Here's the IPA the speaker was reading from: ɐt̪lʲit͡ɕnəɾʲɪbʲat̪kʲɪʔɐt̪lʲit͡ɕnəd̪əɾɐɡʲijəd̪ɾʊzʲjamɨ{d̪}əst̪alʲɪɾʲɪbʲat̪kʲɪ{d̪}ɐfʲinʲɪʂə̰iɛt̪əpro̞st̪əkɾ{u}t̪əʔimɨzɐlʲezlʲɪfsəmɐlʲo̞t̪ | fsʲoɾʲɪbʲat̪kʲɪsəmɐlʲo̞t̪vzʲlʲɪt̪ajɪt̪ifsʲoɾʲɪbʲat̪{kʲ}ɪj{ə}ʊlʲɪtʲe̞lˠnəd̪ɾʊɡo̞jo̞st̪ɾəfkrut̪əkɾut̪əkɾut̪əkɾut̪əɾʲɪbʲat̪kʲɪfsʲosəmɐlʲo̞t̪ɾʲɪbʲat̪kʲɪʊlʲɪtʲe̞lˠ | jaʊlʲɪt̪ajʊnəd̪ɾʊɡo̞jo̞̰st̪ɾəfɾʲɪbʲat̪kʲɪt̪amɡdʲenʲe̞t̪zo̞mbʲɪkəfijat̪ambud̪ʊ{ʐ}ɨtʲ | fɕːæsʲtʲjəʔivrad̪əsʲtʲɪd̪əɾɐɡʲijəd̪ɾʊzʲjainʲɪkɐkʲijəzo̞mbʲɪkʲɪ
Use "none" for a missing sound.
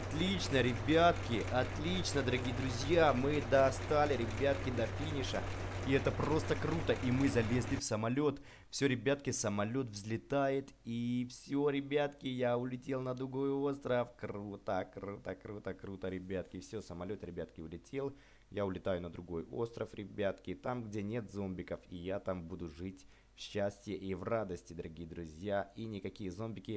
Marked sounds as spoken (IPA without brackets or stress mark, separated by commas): d̪, d̪, u, kʲ, a, ʐ